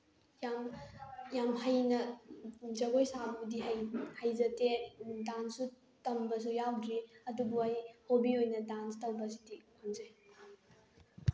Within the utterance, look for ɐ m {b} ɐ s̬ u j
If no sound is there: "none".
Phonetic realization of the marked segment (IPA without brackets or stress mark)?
b